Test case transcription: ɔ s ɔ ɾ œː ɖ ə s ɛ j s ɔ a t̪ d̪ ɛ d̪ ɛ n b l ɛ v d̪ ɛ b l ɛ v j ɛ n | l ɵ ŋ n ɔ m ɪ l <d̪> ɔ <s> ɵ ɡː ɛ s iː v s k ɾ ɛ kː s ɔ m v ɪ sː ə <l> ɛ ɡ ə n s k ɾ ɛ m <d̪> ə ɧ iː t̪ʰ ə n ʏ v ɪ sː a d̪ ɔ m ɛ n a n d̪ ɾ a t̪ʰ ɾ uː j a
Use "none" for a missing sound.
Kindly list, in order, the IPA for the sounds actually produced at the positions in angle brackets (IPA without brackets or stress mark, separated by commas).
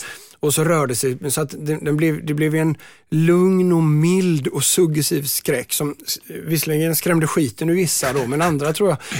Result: d̪, s, l, d̪